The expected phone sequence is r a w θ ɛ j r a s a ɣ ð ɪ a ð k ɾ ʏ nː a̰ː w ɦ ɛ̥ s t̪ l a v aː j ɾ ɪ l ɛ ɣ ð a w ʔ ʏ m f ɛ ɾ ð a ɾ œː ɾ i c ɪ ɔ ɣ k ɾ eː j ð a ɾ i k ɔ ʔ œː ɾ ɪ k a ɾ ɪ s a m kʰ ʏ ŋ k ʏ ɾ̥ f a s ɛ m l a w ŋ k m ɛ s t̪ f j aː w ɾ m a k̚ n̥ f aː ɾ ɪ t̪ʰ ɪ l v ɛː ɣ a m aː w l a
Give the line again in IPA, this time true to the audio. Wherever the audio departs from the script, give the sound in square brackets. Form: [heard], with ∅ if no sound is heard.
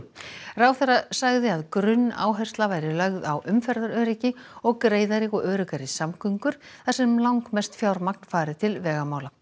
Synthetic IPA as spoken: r a w θ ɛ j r a s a ɣ ð ɪ a ð k ɾ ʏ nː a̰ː w ɦ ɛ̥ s t̪ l a v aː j ɾ ɪ l [œ] ɣ ð a w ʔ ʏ m f ɛ ɾ ð a ɾ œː ɾ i c ɪ ɔ ɣ k ɾ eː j ð a ɾ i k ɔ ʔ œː ɾ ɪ k a ɾ ɪ s a m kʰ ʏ ŋ k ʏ ɾ̥ [θ] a s ɛ m l a w ŋ k m ɛ s t̪ f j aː w ɾ m a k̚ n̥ f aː ɾ ɪ t̪ʰ ɪ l v ɛː ɣ a m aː w l a